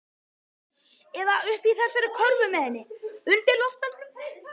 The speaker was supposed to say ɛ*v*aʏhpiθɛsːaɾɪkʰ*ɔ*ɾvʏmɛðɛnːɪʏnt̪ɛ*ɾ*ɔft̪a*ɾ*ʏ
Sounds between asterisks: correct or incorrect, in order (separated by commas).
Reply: incorrect, correct, incorrect, incorrect